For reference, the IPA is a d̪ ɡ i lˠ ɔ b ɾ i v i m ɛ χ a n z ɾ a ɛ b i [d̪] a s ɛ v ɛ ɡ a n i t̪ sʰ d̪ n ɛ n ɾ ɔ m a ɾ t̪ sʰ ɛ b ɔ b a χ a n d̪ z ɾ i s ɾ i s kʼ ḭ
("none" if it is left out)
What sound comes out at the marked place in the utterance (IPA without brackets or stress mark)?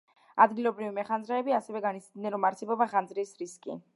none